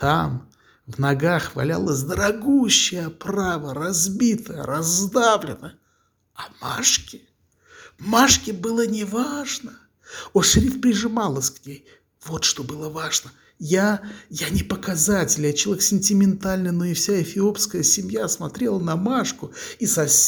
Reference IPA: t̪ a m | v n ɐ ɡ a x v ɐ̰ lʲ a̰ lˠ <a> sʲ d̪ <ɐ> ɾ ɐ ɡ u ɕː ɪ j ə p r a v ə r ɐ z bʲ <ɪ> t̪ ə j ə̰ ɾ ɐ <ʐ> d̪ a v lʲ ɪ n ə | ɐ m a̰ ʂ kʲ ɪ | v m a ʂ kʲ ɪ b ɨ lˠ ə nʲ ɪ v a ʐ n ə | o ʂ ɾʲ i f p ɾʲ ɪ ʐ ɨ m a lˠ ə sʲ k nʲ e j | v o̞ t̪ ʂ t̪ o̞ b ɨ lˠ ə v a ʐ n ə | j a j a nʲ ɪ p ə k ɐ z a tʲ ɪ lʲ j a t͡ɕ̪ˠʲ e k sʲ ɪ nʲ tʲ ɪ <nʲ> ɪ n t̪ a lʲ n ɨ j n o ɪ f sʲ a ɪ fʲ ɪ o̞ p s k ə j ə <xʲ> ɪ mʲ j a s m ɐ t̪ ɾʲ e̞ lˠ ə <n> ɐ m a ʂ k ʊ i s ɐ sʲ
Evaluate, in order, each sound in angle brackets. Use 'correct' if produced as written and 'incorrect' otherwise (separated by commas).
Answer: incorrect, incorrect, incorrect, incorrect, incorrect, incorrect, correct